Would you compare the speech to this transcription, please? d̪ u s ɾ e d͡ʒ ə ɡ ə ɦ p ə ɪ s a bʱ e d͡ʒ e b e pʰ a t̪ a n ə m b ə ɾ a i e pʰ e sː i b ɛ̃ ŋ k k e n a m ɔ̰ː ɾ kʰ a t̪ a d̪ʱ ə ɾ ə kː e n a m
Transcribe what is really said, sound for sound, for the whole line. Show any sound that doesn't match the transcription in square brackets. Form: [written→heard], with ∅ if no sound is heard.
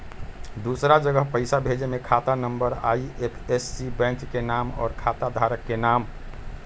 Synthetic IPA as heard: d̪ u s ɾ [e→a] d͡ʒ ə ɡ ə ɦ p ə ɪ s a bʱ e d͡ʒ e [b→m] e [pʰ→kʰ] a t̪ a n ə m b ə ɾ a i e pʰ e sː i b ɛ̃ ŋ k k e n a m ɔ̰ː ɾ kʰ a t̪ a d̪ʱ [ə→a] ɾ ə kː e n a m

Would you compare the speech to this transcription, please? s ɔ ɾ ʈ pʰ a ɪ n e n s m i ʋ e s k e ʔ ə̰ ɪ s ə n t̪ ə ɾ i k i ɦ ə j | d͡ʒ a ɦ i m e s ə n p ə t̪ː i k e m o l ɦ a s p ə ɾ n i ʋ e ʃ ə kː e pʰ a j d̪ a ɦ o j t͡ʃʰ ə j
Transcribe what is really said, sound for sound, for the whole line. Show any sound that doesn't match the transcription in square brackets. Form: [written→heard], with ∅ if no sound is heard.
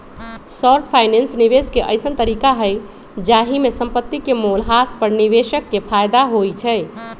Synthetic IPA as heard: s ɔ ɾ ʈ pʰ a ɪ n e n s [m→n] i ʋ e s k e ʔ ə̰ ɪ s ə n t̪ ə ɾ i k [i→a] ɦ ə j | d͡ʒ a ɦ i m e s ə [n→m] p ə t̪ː i k e m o l ɦ a s p ə ɾ n i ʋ e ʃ ə kː e pʰ a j d̪ a ɦ o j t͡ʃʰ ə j

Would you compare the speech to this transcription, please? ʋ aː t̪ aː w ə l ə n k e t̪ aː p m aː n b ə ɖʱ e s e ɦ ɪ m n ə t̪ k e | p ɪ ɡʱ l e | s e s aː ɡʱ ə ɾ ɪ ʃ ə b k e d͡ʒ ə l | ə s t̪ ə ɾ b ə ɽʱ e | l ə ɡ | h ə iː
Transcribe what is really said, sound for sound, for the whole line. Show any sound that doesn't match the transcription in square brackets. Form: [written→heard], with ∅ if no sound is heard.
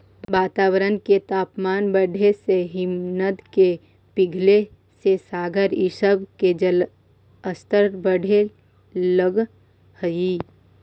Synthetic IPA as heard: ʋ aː t̪ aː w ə [l→ɾ] ə n k e t̪ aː p m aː n b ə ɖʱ e s e ɦ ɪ m n ə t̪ k e | p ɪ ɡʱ l e | s e s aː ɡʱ ə ɾ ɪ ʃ ə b k e d͡ʒ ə l | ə s t̪ ə ɾ b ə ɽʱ e | l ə ɡ | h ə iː

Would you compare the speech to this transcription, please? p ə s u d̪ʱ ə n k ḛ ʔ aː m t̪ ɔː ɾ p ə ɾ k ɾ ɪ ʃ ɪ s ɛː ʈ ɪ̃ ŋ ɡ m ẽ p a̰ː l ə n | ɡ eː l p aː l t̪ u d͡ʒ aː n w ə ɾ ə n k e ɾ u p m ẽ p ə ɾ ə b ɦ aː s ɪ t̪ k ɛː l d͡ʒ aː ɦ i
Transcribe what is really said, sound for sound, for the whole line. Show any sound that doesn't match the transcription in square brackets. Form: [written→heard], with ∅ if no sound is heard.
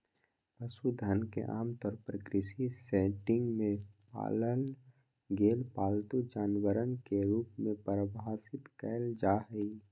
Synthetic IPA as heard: p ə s u d̪ʱ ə n k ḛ ʔ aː m t̪ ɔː ɾ p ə ɾ k ɾ ɪ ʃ [ɪ→i] s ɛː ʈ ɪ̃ ŋ ɡ m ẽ p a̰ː l ə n | ɡ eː l p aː l t̪ u d͡ʒ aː n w ə ɾ ə n k e ɾ [u→uː] p m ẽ p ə ɾ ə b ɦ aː s ɪ t̪ k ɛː l d͡ʒ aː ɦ i

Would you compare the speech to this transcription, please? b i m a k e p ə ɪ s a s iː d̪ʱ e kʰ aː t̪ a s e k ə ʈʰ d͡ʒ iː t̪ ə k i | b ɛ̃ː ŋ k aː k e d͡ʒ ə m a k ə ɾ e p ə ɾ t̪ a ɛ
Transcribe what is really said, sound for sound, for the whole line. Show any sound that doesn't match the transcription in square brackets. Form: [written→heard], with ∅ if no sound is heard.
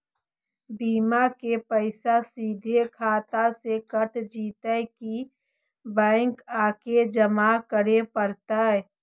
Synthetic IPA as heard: b [i→iː] m a k e p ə ɪ s a s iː d̪ʱ e kʰ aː t̪ a s e k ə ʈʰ d͡ʒ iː t̪ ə k i | b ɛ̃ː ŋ k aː k e d͡ʒ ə m a k ə ɾ e p ə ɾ t̪ a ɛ

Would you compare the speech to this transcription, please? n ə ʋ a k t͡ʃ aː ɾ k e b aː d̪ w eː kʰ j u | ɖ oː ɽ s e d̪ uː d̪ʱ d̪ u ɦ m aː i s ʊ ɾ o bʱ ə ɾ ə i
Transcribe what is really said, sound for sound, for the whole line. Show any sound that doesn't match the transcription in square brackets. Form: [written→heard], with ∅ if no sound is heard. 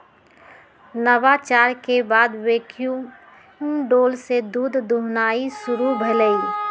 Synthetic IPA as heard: n ə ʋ a [k→∅] t͡ʃ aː ɾ k e b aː d̪ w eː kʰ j u | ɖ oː [ɽ→l] s e d̪ uː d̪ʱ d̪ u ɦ [m→n] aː i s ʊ ɾ [o→u] bʱ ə [ɾ→l] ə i

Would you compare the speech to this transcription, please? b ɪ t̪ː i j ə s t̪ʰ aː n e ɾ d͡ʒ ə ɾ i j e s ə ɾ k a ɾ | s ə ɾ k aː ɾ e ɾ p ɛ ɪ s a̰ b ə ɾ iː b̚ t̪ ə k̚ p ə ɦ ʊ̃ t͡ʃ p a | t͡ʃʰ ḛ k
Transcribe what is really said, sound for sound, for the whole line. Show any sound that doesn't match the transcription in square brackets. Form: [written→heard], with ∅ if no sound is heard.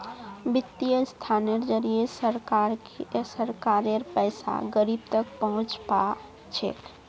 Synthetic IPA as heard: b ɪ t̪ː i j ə s t̪ʰ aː n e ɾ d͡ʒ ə ɾ i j e s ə ɾ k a ɾ | s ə ɾ k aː ɾ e ɾ p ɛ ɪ s a̰ [b→ɡ] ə ɾ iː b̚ t̪ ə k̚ p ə ɦ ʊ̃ t͡ʃ p a | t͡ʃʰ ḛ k

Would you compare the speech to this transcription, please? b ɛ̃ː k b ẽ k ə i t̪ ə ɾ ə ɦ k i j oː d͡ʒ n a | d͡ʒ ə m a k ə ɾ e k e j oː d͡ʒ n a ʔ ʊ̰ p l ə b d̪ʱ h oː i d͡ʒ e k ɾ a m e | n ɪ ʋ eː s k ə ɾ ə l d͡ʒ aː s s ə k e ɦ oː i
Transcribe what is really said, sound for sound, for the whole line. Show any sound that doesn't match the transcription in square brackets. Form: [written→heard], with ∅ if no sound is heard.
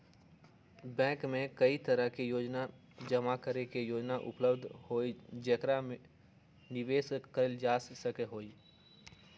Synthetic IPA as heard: b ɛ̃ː k [b→m] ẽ k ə i t̪ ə ɾ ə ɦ k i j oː d͡ʒ n a | d͡ʒ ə m a k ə ɾ e k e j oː d͡ʒ n a ʔ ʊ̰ p l ə b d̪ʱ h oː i d͡ʒ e k ɾ a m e | n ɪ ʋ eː s k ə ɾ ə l d͡ʒ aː s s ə k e ɦ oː i

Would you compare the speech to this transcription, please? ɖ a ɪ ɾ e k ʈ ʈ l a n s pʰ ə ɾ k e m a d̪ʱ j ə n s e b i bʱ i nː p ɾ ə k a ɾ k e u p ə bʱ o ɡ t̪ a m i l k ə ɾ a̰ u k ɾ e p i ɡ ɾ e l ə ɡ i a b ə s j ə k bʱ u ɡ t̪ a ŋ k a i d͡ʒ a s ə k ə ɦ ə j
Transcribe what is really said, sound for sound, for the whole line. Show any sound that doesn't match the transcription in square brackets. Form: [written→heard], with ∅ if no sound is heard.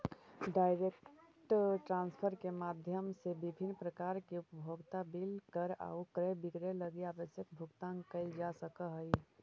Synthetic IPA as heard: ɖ a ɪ ɾ e k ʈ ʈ [l→ɾ] a n s pʰ ə ɾ k e m a d̪ʱ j ə [n→m] s e b i bʱ i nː p ɾ ə k a ɾ k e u p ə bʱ o ɡ t̪ a [m→b] i l k ə ɾ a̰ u k ɾ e [p→b] i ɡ ɾ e l ə ɡ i a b ə s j ə k bʱ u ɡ t̪ a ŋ k [a→ə] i d͡ʒ a s ə k ə ɦ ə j

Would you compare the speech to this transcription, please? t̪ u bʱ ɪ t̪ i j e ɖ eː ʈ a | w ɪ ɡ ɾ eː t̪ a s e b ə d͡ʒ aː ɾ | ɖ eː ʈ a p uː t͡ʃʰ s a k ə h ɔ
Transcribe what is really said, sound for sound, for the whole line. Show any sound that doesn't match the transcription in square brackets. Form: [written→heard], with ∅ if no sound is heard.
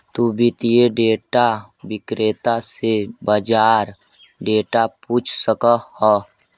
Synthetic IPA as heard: t̪ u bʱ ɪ t̪ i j e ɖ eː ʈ a | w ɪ [ɡ→k] ɾ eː t̪ a s e b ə d͡ʒ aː ɾ | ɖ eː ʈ a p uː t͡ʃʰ s [a→ə] k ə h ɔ

